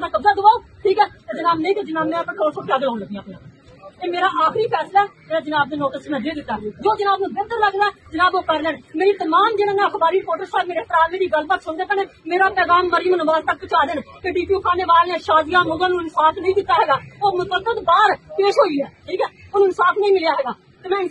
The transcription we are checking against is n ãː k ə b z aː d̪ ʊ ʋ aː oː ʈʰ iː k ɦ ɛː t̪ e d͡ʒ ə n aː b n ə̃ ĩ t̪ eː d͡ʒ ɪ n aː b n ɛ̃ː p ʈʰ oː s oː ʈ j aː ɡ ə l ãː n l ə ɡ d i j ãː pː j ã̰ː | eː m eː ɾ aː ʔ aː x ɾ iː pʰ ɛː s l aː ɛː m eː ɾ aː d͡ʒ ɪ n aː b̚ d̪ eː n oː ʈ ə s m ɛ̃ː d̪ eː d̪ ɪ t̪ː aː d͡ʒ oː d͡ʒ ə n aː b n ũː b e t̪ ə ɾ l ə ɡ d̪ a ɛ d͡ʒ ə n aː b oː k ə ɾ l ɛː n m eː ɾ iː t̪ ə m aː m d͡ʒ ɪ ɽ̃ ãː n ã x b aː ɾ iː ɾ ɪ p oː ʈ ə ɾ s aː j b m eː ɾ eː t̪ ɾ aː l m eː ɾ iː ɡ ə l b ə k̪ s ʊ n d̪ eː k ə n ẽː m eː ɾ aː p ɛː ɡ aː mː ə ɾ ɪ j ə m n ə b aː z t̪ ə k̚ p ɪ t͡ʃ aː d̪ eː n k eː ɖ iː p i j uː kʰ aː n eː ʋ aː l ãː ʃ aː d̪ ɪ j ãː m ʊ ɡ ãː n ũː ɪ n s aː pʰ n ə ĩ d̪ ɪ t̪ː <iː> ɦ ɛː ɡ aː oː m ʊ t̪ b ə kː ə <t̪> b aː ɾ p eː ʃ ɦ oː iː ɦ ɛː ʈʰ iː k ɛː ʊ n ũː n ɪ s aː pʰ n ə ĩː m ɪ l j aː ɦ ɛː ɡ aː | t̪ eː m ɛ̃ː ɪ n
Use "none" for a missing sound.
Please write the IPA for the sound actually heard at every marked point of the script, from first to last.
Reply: aː, t̪

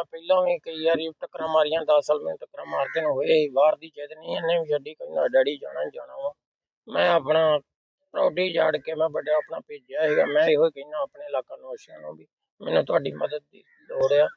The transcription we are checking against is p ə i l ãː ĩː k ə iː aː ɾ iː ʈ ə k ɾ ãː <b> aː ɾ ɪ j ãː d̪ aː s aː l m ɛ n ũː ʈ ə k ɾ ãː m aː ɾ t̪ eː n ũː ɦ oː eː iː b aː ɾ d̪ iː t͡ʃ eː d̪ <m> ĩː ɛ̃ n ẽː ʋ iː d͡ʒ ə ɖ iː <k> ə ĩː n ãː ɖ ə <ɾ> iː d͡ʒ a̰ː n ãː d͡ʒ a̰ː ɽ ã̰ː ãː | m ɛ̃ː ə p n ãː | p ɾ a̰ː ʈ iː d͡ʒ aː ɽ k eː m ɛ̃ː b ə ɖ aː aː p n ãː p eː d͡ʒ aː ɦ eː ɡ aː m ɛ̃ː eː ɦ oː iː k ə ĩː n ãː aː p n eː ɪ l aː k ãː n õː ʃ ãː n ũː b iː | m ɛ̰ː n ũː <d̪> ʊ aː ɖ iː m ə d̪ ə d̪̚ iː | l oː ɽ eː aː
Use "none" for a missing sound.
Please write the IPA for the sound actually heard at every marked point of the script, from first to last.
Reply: m, n, k, ɽ, t̪

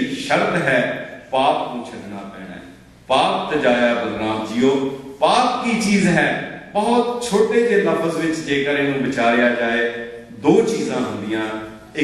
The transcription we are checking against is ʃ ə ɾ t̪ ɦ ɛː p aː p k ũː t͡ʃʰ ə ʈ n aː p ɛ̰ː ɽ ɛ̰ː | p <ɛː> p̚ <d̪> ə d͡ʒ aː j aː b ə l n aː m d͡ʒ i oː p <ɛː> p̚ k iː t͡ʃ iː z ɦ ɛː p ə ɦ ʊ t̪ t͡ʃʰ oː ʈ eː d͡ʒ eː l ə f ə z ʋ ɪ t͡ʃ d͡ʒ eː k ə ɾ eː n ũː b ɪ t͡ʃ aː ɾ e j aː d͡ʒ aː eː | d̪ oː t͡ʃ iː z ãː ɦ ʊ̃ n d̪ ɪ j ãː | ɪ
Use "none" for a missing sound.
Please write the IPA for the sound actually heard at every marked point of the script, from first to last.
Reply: aː, t̪, aː

